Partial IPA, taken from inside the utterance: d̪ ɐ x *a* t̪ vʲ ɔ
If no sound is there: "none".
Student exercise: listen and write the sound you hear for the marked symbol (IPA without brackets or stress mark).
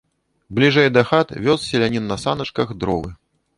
a